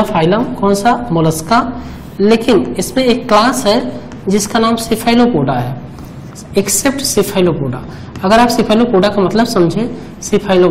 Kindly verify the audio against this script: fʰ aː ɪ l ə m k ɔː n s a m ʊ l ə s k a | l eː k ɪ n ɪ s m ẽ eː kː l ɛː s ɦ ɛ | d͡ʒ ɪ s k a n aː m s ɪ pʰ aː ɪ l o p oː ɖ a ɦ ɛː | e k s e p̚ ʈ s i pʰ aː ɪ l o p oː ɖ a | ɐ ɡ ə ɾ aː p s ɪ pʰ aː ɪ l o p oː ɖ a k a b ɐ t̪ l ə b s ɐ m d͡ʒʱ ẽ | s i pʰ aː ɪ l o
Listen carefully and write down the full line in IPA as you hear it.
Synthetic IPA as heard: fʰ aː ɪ l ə m k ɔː n s a m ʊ l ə s k a | l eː k ɪ n ɪ s m ẽ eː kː l aː s ɦ ɛ | d͡ʒ ɪ s k a n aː m s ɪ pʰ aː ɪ l o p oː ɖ a ɦ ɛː | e k s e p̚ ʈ s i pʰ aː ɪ l o p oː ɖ a | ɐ ɡ ə ɾ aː p s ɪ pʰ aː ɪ l o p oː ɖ a k a m ɐ t̪ l ə b s ɐ m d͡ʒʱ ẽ | s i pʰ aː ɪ l o